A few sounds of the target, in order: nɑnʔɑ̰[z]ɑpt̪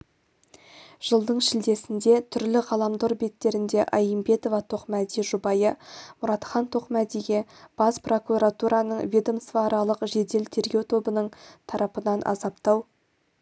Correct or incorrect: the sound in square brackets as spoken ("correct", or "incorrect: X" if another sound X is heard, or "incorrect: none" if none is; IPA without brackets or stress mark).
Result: correct